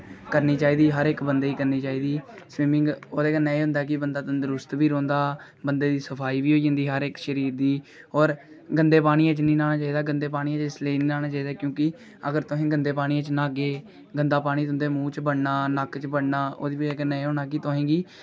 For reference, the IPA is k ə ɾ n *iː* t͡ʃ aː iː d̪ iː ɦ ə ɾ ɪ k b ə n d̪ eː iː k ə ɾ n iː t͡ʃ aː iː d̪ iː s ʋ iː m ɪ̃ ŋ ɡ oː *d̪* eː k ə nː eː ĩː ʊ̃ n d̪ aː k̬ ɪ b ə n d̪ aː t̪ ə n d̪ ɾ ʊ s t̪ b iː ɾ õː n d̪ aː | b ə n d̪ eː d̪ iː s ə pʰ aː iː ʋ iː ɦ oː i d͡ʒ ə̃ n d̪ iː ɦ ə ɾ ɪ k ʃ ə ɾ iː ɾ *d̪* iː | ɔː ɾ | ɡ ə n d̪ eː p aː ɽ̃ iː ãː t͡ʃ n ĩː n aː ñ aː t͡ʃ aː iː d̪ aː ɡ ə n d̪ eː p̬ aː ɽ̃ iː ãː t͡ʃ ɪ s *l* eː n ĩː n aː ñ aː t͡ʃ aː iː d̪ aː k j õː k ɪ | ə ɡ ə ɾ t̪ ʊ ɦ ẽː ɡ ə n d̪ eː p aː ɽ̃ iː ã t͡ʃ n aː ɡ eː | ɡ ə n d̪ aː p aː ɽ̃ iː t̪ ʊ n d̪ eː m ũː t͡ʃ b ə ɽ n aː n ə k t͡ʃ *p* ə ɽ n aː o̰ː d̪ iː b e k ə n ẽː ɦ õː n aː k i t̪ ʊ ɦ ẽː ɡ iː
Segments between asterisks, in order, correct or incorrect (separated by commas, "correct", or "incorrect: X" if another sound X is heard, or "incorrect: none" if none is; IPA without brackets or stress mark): correct, correct, correct, correct, incorrect: b